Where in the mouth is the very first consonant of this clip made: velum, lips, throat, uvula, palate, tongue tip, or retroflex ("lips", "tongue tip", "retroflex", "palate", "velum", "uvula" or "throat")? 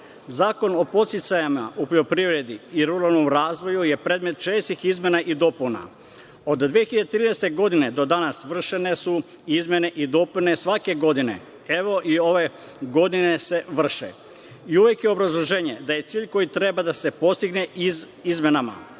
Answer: tongue tip